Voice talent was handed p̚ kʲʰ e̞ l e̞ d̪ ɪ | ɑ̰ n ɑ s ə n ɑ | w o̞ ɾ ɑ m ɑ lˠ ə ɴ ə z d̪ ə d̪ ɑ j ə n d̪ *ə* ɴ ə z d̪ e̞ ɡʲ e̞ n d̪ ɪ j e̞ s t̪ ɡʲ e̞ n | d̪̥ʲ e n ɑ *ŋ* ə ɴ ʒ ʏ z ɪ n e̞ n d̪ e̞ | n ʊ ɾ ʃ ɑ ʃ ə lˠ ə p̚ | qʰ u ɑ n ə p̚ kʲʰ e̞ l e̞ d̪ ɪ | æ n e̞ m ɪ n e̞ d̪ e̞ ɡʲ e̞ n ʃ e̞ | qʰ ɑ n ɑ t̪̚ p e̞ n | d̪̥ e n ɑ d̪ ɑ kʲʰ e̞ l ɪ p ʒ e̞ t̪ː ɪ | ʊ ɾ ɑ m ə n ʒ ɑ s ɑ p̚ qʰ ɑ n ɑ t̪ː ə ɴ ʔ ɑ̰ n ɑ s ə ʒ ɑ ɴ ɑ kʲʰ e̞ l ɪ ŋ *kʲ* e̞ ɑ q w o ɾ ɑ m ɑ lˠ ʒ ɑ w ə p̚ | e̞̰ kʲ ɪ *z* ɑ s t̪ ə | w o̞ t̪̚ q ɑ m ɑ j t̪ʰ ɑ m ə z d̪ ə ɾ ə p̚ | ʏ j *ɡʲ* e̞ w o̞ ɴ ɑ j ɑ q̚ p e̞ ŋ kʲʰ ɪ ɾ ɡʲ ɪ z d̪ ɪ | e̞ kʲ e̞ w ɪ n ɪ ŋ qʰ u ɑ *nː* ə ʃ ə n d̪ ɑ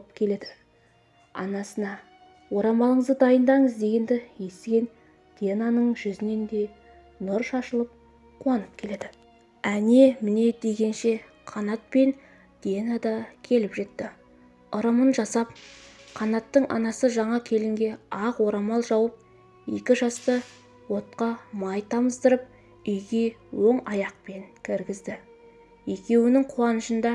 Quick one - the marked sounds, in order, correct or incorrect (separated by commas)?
incorrect, incorrect, incorrect, incorrect, correct, incorrect